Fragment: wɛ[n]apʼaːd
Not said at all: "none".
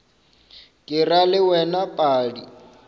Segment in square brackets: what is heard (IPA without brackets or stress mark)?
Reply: n